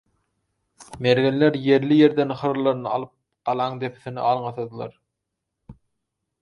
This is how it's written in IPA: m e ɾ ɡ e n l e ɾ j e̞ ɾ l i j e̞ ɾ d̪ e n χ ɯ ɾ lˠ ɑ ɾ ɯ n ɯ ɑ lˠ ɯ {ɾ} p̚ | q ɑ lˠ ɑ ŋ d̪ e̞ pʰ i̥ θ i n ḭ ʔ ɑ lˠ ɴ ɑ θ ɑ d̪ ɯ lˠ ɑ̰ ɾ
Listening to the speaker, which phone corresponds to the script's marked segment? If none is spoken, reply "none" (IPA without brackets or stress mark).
none